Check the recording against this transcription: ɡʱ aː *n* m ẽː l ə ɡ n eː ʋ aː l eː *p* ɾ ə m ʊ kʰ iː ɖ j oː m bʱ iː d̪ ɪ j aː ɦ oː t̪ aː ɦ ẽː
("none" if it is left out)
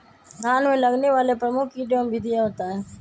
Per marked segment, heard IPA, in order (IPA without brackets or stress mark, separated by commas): n, p